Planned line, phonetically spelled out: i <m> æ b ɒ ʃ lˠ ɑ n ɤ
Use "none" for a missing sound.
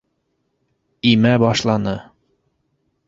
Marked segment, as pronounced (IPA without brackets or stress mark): m